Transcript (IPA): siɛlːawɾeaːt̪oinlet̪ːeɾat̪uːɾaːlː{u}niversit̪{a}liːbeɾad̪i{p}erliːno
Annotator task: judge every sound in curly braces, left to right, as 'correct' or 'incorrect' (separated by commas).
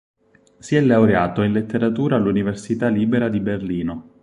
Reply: correct, correct, incorrect